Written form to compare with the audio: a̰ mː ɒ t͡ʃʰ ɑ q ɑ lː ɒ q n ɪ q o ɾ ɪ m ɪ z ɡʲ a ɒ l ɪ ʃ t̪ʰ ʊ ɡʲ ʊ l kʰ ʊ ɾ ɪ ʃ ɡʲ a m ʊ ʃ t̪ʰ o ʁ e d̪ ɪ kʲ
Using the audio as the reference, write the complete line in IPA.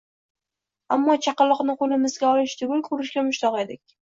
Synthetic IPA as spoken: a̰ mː ɒ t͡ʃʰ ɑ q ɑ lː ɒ q n ɪ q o l ɪ m ɪ z ɡʲ a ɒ l ɪ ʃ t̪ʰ ʊ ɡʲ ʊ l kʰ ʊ ɾ ɪ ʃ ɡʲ a m ʊ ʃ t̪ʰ ɒ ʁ e d̪ ɪ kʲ

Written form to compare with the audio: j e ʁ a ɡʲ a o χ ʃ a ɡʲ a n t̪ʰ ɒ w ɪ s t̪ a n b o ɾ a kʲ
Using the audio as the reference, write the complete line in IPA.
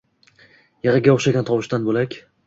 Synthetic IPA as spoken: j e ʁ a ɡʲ a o χ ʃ a ɡʲ a n t̪ʰ ɒ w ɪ ʃ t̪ a n b o l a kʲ

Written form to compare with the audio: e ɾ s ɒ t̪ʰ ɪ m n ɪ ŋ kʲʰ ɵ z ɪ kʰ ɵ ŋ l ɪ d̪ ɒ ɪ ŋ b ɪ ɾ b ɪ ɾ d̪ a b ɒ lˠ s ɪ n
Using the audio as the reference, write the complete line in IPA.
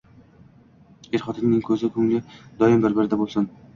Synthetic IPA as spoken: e ɾ χ ɒ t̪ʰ ɪ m n ɪ ŋ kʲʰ ɵ z ɪ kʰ ɵ ŋ l ɪ d̪ ɒ ɪ m b ɪ ɾ b ɪ ɾ d̪ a b o lˠ s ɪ n

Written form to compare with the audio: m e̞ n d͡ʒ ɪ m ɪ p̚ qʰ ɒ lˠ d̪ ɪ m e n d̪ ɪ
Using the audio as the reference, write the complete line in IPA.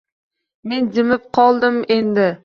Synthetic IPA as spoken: m e̞ n d͡ʒ ɪ m ɪ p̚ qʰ ɒ lˠ d̪ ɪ m e n d̪ ɪ

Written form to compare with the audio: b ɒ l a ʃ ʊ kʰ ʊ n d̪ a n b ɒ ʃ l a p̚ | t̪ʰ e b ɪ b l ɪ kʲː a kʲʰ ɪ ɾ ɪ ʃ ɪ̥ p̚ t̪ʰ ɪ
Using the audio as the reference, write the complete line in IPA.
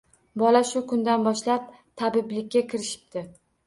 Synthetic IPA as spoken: b ɒ l a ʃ ʊ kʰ ʊ n d̪ a n b ɒ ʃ l a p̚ | t̪ʰ a b ɪ b l ɪ kʲː a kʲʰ ɪ ɾ ɪ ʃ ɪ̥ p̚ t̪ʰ ɪ

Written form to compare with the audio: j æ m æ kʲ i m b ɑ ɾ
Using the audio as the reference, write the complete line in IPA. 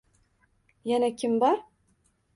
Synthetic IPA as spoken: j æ n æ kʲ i m b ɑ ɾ

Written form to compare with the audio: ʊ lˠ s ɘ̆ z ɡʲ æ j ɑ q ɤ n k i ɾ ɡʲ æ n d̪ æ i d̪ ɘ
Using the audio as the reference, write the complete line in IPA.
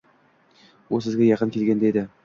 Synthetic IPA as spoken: u lˠ s ɘ̆ z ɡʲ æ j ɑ q ɤ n k i l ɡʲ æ n d̪ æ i d̪ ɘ

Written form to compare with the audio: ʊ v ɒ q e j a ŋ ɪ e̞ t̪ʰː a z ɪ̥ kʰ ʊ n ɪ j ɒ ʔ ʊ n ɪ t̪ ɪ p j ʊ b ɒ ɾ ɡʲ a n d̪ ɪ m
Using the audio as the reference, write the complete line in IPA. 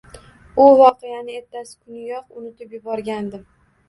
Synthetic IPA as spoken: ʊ v ɒ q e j a n ɪ e̞ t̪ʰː a s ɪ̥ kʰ ʊ n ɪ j ɒ q ʊ n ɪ t̪ ɪ p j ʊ b ɒ ɾ ɡʲ a n d̪ ɪ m

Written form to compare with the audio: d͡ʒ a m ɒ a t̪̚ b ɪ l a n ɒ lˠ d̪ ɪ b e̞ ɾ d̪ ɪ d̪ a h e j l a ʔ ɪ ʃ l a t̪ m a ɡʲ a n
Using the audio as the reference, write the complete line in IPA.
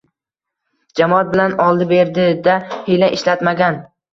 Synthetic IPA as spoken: d͡ʒ a m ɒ a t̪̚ b ɪ l a n ɒ lˠ d̪ ɪ b e̞ ɾ d̪ ɪ d̪ a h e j l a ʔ ɪ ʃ l a t̪ m a ɡʲ a n

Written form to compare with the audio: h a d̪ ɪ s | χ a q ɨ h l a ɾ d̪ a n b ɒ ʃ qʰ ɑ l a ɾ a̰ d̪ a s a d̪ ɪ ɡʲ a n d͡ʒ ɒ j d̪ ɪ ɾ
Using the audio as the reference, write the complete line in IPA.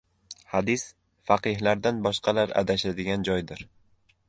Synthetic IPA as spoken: h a d̪ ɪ s | f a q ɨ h l a ɾ d̪ a n b ɒ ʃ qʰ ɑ l a ɾ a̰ d̪ a ʃ a d̪ ɪ ɡʲ a n d͡ʒ ɒ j d̪ ɪ ɾ

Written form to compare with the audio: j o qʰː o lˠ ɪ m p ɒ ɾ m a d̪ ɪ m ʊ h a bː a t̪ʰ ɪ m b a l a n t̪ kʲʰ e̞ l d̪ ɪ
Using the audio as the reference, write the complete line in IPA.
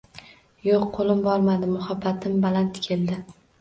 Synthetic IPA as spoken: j o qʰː o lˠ ɪ m b ɒ ɾ m a d̪ ɪ m ʊ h a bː a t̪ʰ ɪ m b a l a n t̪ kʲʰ e̞ l d̪ ɪ

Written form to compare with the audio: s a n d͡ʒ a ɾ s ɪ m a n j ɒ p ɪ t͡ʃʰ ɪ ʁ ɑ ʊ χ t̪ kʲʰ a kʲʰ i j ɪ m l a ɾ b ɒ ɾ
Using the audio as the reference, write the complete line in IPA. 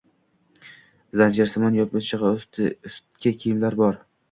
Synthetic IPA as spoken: z a n d͡ʒ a ɾ s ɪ m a n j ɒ p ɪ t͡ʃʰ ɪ ʁ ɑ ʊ s t̪ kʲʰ a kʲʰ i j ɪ m l a ɾ b ɒ ɾ

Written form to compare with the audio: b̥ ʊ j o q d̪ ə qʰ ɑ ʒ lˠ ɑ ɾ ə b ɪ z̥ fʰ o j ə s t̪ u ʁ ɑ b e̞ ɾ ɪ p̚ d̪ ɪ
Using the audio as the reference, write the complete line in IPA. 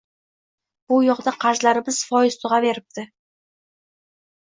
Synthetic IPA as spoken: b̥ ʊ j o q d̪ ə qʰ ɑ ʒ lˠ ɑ ɾ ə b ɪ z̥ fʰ o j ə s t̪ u ʁ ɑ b e̞ ɾ ɪ p̚ t̪ ɪ

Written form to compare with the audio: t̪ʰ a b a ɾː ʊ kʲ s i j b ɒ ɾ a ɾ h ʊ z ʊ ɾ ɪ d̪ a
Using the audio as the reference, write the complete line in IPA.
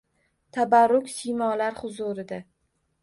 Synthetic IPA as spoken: t̪ʰ a b a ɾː ʊ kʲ s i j m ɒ l a ɾ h ʊ z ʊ ɾ ɪ d̪ a

